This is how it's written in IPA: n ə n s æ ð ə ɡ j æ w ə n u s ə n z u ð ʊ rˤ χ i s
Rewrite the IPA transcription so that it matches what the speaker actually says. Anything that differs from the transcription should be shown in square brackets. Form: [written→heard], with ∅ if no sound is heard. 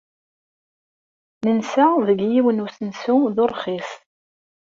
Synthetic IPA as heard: n ə n s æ ð ə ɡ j [æ→i] w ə n u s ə n [z→s] u ð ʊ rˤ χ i s